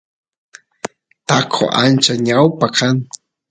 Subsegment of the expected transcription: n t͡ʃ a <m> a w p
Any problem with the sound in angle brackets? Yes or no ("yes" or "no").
yes